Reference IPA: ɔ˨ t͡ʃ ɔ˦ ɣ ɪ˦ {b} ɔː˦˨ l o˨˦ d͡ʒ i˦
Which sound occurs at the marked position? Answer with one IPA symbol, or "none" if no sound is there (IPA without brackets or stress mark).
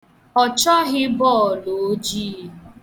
b